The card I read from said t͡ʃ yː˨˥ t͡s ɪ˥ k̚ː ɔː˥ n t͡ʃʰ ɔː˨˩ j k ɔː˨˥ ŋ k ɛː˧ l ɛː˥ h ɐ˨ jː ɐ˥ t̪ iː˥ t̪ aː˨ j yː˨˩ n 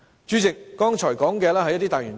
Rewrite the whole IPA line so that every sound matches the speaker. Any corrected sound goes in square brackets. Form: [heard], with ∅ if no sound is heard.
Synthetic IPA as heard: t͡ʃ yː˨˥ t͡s [ɪ˨] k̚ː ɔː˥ [ŋ] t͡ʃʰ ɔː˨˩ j k ɔː˨˥ ŋ k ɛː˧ l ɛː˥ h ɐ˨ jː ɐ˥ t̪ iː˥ t̪ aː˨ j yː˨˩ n